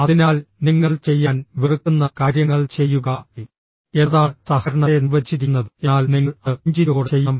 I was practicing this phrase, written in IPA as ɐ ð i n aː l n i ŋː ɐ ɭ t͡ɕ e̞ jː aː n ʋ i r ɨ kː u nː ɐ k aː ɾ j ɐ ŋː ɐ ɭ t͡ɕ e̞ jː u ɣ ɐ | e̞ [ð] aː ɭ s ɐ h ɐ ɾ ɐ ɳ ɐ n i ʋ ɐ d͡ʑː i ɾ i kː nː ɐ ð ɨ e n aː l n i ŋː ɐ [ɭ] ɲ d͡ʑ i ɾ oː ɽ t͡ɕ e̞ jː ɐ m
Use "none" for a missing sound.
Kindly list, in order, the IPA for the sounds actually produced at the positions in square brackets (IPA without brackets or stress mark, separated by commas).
ð, ɭ